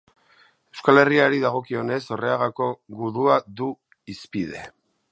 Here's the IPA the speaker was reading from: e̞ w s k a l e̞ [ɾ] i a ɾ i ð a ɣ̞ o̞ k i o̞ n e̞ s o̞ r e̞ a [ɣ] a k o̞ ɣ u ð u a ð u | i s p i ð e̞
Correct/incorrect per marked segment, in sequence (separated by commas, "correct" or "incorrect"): incorrect, correct